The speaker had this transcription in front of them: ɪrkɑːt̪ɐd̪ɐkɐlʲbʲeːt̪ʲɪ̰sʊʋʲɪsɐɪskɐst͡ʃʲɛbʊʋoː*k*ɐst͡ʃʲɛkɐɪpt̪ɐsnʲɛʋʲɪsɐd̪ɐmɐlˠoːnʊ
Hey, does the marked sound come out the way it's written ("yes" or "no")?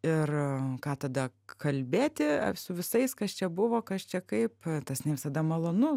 yes